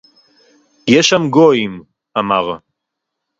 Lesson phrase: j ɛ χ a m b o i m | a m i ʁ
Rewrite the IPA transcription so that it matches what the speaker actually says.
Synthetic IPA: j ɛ ʃ a m ɡ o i m | a m a ʁ